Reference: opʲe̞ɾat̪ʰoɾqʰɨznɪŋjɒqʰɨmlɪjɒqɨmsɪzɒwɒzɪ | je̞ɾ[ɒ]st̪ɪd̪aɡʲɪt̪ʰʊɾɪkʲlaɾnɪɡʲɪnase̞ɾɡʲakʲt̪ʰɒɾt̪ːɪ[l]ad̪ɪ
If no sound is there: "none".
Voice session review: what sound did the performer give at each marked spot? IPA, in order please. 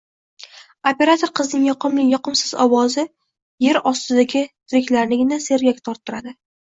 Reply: ɒ, ɾ

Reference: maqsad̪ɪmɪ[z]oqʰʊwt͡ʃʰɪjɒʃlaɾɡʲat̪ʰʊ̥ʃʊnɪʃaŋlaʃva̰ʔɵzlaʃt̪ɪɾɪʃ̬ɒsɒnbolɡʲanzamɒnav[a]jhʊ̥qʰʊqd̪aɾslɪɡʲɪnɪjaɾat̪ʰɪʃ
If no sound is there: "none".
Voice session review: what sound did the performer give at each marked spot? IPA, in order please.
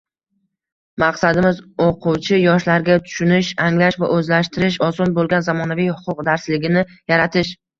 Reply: z, i

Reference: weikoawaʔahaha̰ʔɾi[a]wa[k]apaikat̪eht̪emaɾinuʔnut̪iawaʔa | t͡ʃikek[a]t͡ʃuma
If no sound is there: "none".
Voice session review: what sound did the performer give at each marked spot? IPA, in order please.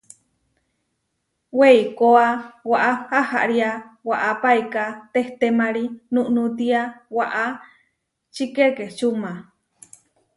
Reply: a, ʔ, e

